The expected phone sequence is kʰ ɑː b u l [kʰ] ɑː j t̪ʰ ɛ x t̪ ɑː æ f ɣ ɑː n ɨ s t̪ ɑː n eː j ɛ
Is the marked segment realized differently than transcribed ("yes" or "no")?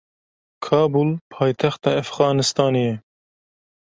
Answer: yes